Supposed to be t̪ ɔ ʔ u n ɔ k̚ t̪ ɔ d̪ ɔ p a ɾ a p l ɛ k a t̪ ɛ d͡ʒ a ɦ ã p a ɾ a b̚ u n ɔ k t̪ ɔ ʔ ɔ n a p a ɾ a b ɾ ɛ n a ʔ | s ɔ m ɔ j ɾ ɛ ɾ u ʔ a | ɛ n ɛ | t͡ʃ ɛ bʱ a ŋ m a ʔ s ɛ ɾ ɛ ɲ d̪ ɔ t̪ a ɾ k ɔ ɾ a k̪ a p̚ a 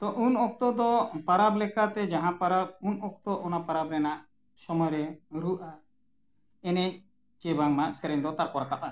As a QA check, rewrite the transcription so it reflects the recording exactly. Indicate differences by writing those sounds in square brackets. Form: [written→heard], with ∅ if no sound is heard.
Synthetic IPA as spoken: t̪ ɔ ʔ u n ɔ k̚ t̪ ɔ d̪ ɔ p a ɾ a [p→b] l ɛ k a t̪ ɛ d͡ʒ a ɦ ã p a ɾ a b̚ u n ɔ k t̪ ɔ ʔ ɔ n a p a ɾ a b ɾ ɛ n a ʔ | s ɔ m ɔ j ɾ ɛ ɾ u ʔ a | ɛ n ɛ | t͡ʃ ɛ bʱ a ŋ m a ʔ s ɛ ɾ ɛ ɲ d̪ ɔ t̪ a ɾ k ɔ ɾ a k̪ a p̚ a